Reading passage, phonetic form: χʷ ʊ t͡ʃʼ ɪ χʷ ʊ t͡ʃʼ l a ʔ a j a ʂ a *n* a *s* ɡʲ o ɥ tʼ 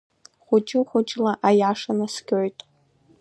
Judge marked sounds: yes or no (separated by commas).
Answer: yes, yes